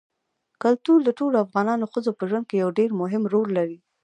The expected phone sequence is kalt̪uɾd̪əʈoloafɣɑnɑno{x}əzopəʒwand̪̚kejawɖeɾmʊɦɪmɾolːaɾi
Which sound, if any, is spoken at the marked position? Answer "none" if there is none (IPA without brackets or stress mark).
x